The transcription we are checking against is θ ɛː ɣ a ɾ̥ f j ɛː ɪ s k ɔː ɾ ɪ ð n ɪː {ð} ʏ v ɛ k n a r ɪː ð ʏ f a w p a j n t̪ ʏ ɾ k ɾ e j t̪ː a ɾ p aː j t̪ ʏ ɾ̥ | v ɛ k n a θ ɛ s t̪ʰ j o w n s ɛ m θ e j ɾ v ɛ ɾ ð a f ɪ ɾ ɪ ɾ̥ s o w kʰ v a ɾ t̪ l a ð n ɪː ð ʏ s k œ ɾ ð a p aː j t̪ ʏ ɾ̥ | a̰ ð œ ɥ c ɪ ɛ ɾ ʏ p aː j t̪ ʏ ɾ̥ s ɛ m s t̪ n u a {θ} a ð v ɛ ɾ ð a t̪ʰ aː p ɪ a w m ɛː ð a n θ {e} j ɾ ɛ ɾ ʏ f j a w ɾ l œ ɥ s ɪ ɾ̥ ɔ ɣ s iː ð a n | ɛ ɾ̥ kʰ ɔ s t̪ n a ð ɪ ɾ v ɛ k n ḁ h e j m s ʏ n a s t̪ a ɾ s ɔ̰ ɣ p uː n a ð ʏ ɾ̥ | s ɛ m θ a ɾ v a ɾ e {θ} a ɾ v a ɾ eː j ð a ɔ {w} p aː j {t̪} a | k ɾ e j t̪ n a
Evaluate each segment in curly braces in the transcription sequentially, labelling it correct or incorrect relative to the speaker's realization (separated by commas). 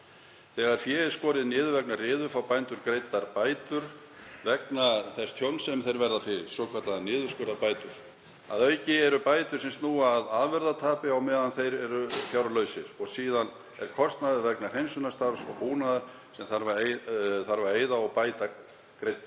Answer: correct, incorrect, correct, correct, incorrect, correct